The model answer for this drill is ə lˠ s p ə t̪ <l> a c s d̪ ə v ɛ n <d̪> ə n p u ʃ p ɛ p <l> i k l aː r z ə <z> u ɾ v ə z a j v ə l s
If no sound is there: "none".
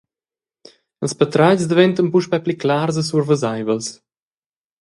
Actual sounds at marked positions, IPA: ɾ, t̪, l, s

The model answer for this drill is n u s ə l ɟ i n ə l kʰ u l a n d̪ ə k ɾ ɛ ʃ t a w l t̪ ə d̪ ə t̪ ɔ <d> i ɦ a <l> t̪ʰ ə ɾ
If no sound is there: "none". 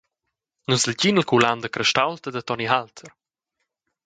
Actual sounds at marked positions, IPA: n, l

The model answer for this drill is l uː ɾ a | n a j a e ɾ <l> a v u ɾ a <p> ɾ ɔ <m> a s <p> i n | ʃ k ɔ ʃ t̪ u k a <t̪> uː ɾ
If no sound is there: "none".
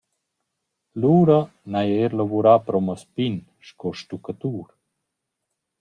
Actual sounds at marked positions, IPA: l, p, m, p, t̪

